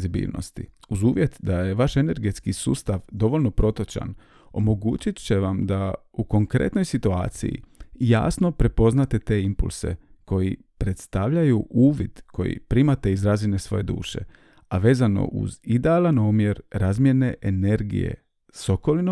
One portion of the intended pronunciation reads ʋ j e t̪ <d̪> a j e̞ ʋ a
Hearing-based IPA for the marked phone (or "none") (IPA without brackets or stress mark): d̪